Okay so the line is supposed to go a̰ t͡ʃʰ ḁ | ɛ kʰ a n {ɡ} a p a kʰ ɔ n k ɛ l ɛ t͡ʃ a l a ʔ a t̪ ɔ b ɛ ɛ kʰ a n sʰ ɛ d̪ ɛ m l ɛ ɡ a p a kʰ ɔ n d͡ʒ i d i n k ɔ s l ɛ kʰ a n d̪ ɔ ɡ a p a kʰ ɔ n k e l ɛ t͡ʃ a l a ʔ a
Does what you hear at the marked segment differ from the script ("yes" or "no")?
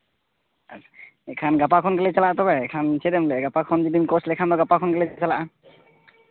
no